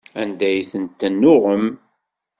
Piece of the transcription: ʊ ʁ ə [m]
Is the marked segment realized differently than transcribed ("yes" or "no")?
no